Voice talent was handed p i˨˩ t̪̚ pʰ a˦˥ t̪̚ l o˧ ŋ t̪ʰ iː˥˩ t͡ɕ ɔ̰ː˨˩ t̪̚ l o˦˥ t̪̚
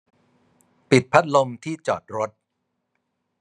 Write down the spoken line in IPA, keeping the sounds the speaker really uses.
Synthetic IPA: p i˨˩ t̪̚ pʰ a˦˥ t̪̚ l o˧ m t̪ʰ iː˥˩ t͡ɕ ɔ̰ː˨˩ t̪̚ ɾ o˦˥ t̪̚